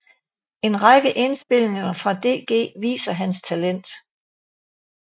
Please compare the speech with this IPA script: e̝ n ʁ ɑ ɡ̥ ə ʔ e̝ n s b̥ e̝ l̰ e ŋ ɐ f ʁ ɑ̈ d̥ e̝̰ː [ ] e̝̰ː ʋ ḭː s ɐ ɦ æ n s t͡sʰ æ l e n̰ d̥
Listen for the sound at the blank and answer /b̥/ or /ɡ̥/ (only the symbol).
ɡ̥